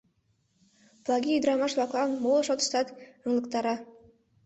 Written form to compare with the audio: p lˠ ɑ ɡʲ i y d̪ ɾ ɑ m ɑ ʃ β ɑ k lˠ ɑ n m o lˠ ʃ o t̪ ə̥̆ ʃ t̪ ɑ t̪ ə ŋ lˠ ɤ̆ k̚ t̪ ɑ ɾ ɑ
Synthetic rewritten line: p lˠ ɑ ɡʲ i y d̪ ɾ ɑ m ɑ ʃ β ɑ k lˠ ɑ n m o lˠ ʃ o t̪ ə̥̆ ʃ t̪ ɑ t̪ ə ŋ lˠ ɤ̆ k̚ t̪ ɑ ɾ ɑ